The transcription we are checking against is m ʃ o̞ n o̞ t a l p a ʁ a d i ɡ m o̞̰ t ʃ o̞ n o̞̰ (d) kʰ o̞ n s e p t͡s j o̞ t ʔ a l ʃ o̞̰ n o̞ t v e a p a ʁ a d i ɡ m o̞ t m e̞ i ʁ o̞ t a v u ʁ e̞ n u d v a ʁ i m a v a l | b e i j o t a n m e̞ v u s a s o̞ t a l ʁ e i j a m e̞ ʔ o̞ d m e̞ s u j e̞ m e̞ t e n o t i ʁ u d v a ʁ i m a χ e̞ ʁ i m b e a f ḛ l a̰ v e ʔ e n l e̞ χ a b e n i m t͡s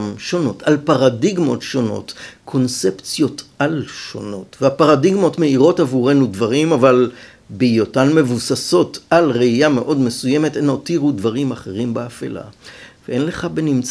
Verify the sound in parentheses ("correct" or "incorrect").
incorrect